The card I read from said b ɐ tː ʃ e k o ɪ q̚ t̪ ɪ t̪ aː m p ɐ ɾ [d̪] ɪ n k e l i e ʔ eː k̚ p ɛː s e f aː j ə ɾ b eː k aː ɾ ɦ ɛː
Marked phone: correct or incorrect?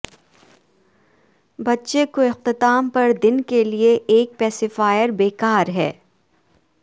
correct